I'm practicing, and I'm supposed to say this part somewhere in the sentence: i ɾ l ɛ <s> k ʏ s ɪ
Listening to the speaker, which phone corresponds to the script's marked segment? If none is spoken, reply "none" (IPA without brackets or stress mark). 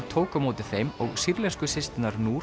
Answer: s